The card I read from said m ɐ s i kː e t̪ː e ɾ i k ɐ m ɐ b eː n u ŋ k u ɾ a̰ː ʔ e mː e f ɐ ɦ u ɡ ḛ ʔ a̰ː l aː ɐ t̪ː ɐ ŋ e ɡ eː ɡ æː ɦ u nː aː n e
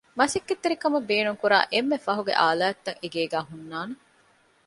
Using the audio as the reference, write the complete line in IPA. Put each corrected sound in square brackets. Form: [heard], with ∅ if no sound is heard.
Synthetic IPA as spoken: m ɐ s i kː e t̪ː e ɾ i k ɐ m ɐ b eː n u ŋ k u ɾ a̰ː ʔ e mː e f ɐ ɦ u ɡ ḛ ʔ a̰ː l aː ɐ t̪ː ɐ ŋ e ɡ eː ɡ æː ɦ u nː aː n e